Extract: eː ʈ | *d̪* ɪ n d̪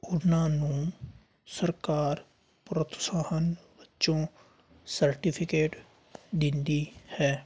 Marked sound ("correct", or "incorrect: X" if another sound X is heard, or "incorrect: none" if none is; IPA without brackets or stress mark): correct